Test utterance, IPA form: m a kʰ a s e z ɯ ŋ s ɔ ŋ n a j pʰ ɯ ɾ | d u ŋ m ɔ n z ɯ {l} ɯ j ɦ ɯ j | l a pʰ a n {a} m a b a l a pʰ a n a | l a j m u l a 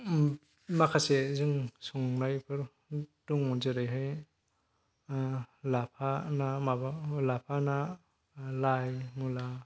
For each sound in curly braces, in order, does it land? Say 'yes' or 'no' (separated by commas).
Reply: no, yes